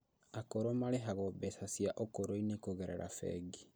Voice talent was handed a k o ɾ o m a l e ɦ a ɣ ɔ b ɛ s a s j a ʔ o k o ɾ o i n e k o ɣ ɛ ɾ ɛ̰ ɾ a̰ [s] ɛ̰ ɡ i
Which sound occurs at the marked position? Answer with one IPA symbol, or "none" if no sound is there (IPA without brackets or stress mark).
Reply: f